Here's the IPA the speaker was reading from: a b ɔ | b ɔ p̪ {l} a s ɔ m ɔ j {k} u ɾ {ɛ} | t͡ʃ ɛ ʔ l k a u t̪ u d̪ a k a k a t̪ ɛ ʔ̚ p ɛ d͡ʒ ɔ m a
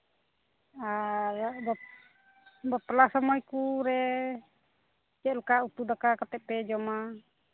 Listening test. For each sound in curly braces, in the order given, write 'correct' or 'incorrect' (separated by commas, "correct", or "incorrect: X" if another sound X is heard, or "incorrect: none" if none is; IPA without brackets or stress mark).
correct, correct, correct